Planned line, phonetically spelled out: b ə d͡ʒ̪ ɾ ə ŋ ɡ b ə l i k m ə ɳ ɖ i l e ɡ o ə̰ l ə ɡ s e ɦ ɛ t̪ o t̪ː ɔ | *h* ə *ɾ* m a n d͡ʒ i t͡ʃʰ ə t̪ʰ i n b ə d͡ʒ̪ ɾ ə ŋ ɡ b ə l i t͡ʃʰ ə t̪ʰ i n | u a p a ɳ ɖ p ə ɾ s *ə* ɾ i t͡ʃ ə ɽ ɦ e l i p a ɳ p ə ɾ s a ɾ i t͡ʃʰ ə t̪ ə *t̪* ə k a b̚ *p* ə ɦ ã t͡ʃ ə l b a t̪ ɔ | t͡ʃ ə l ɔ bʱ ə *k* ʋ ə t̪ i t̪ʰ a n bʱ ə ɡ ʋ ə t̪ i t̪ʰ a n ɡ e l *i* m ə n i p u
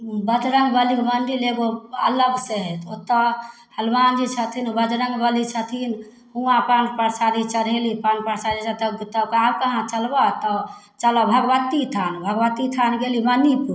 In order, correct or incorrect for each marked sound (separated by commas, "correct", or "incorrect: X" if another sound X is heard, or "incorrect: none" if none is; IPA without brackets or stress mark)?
correct, incorrect: l, incorrect: a, correct, incorrect: k, incorrect: ɡ, correct